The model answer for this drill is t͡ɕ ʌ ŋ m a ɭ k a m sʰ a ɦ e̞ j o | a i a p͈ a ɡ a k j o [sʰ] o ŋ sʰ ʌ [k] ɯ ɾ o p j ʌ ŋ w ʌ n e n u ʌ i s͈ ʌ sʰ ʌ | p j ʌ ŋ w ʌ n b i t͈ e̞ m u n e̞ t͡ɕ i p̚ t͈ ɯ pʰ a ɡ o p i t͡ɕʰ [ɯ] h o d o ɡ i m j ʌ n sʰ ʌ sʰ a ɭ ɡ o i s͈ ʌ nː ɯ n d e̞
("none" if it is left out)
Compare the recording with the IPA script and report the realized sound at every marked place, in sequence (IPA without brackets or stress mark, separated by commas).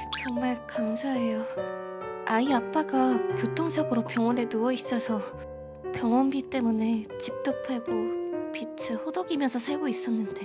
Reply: tʰ, ɡ, ɯ